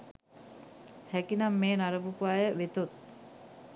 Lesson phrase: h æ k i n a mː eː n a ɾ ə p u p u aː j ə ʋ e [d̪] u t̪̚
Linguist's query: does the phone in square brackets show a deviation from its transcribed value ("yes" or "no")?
yes